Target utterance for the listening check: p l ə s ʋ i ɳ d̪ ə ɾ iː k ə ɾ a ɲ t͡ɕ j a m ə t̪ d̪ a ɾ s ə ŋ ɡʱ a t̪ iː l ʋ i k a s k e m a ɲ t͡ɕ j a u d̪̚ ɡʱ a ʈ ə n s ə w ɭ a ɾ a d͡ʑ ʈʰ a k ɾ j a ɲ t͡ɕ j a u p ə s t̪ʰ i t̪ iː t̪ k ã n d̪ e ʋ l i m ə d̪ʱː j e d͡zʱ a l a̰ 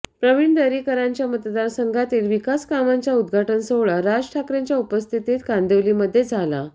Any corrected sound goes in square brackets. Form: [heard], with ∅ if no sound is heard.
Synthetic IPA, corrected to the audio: p [ɾ] ə [∅] ʋ i ɳ d̪ ə ɾ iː k ə ɾ a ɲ t͡ɕ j a m ə t̪ d̪ a ɾ s ə ŋ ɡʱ a t̪ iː l ʋ i k a s k [a] m a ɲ t͡ɕ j a u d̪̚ ɡʱ a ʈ ə n s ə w ɭ a ɾ a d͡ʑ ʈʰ a k ɾ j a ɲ t͡ɕ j a u p ə s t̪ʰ i t̪ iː t̪ k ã n d̪ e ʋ l i m ə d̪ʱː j e d͡zʱ a l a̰

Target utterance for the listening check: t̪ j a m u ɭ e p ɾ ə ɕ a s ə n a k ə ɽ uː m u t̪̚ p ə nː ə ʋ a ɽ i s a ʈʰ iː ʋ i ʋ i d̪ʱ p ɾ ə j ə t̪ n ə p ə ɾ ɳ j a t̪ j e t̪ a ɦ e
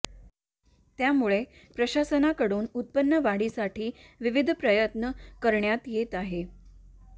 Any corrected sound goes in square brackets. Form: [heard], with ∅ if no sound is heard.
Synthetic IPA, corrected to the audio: t̪ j a m u ɭ e p ɾ ə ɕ a s ə n a k ə ɽ uː [n] u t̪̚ p ə nː ə ʋ a ɽ i s a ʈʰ iː ʋ i ʋ i d̪ʱ p ɾ ə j ə t̪ n ə [k] ə ɾ ɳ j a t̪ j e t̪ a ɦ e

